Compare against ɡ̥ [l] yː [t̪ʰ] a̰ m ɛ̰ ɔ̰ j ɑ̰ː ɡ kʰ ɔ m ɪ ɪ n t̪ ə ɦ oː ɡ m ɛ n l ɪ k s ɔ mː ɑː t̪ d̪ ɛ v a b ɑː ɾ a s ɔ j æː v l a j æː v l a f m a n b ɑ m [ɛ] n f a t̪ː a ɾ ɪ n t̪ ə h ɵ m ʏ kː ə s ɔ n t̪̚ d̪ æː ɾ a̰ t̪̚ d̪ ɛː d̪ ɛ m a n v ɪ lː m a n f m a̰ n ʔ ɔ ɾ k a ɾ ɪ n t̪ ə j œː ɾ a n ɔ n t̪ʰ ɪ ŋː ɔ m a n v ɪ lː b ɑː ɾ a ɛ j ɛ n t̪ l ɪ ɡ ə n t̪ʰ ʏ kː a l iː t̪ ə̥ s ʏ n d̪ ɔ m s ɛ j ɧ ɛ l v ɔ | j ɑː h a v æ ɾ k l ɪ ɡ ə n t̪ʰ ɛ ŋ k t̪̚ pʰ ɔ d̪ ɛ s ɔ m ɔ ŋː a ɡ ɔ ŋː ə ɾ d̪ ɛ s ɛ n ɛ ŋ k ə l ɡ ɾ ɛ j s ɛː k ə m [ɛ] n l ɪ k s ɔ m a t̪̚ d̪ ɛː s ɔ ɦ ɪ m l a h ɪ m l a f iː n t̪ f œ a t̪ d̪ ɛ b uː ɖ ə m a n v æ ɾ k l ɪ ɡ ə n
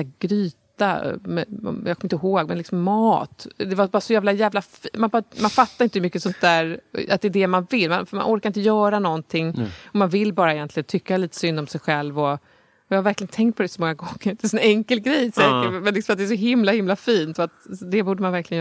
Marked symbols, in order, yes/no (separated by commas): no, no, no, yes